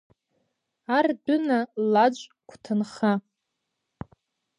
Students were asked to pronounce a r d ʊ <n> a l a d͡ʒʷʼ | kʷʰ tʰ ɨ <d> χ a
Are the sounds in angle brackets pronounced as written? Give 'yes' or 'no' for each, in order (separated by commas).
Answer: yes, no